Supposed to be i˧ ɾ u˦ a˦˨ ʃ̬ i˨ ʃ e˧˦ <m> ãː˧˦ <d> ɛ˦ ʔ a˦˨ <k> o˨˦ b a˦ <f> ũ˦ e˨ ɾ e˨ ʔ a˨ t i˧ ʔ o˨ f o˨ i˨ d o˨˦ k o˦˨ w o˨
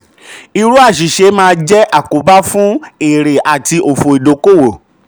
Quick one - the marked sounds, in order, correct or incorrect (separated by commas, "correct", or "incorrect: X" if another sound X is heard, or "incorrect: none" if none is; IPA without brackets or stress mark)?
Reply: correct, incorrect: d͡ʒ, correct, correct